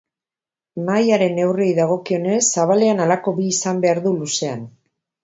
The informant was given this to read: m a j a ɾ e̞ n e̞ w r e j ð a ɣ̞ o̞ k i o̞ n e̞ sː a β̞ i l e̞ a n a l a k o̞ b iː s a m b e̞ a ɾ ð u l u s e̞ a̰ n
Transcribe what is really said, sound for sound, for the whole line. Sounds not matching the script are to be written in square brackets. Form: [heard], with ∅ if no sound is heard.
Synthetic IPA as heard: m a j a ɾ e̞ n e̞ w r e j ð a ɣ̞ o̞ k i o̞ n e̞ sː a β̞ [a] l e̞ a n a l a k o̞ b iː s a m b e̞ a ɾ ð u l u s e̞ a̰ n